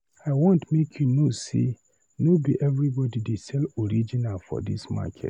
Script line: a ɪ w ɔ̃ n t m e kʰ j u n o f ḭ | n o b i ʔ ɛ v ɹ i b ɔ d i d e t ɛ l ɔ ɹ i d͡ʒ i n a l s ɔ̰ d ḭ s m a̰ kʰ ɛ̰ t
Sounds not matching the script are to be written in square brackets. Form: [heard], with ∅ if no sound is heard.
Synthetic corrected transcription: a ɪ w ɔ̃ n t m e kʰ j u n o [s] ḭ | n o b i ʔ ɛ v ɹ i b ɔ d i d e [s] ɛ l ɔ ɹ i d͡ʒ i n a l [f] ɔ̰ d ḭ s m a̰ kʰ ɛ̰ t